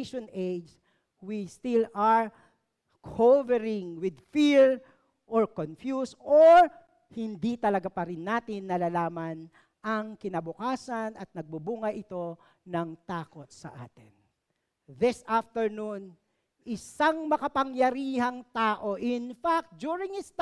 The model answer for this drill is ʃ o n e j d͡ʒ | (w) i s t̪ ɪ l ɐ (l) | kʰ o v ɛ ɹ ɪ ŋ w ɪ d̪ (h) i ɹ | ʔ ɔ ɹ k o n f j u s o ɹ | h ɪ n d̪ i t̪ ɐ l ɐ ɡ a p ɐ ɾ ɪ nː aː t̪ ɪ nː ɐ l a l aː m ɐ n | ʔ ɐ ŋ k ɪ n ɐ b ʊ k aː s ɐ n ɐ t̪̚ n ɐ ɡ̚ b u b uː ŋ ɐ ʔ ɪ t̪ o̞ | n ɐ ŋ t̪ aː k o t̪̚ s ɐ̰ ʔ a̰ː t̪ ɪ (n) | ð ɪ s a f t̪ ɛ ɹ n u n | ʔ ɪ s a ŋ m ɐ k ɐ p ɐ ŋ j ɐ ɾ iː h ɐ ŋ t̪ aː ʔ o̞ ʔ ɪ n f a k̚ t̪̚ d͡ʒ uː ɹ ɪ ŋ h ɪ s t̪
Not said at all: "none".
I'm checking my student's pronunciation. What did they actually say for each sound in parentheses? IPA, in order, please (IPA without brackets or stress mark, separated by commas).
w, ɹ, f, n